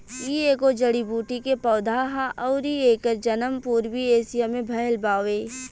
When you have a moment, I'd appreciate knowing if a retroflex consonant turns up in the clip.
yes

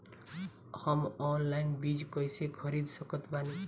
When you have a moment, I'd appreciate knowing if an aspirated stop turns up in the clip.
yes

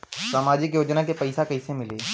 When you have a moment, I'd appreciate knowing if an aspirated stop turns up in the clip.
no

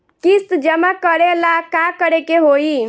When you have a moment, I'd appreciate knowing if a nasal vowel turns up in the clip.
no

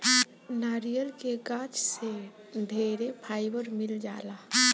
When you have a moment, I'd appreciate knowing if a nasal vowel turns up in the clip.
no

